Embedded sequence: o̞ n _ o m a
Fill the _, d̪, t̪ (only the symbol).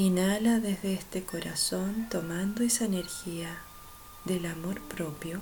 t̪